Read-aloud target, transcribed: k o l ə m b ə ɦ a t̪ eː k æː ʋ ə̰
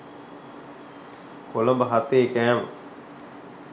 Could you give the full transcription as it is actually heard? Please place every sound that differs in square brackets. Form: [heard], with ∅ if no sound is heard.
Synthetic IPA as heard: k o l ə m b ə ɦ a t̪ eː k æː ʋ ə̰

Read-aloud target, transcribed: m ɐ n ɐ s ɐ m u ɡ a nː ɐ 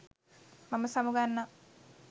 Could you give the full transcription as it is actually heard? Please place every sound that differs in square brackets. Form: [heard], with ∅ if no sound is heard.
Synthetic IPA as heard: m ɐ [m] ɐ s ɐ m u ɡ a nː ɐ

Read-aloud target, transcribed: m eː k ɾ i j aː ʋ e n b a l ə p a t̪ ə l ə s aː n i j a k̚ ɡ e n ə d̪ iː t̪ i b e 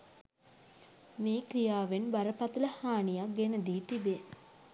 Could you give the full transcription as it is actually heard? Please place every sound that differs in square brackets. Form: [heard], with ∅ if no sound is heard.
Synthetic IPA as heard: m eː k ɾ i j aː ʋ e n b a [ɾ] ə p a t̪ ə l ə [h] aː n i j a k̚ ɡ e n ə d̪ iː t̪ i b e

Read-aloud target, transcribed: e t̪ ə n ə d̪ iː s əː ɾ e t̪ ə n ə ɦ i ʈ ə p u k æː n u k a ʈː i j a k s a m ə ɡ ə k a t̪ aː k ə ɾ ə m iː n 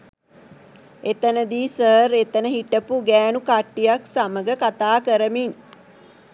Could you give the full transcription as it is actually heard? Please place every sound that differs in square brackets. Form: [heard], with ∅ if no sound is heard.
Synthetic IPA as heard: e t̪ ə n ə d̪ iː s əː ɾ e t̪ ə n ə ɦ i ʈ ə p u [ɡ] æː n u k a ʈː i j a k s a m ə ɡ ə k a t̪ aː k ə ɾ ə m [i] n

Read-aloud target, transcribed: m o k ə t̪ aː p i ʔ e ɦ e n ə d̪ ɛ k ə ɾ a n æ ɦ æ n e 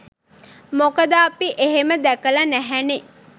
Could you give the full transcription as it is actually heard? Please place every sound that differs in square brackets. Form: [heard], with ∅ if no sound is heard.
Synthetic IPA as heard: m o k ə [d̪] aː p i ʔ e ɦ e [m] ə d̪ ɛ k ə [l] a n æ ɦ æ n e

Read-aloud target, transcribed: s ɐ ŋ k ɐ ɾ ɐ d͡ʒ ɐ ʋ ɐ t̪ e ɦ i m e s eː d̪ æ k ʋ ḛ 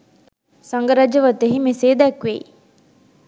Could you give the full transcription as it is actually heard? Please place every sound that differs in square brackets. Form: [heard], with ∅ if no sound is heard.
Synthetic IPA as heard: s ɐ ŋ [ɡ] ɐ ɾ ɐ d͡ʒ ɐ ʋ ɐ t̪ e ɦ i m e s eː d̪ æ k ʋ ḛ

